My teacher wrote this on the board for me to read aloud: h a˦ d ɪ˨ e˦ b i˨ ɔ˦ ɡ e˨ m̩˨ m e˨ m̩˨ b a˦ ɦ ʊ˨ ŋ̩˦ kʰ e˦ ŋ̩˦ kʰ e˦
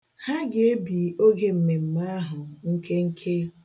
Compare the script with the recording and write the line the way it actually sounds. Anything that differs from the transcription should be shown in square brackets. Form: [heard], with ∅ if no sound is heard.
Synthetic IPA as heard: h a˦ [ɡ] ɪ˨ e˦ b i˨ [o˦] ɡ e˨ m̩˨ m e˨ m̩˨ [m] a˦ ɦ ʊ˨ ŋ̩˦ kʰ e˦ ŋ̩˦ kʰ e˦